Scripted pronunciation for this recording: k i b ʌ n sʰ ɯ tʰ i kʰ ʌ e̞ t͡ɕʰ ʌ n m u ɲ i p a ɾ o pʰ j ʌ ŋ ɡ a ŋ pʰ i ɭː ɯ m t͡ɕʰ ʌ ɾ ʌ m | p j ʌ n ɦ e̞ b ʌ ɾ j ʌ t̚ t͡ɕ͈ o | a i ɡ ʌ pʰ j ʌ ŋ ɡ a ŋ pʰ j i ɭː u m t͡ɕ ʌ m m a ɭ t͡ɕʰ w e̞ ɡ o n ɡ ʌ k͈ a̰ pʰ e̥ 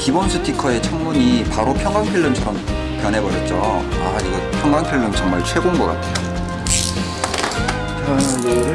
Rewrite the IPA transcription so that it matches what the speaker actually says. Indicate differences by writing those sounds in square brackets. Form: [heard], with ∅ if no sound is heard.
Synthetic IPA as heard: k i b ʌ n sʰ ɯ tʰ i kʰ ʌ e̞ t͡ɕʰ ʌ [ŋ] m u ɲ i p a ɾ o pʰ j ʌ ŋ ɡ a ŋ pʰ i ɭː ɯ m t͡ɕʰ ʌ ɾ ʌ m | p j ʌ n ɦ e̞ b ʌ ɾ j ʌ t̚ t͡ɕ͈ o | a i ɡ ʌ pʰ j ʌ ŋ ɡ a ŋ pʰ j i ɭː [ɯ] m t͡ɕ ʌ [ŋ] m a ɭ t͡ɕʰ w e̞ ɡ o n ɡ ʌ k͈ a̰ [tʰ] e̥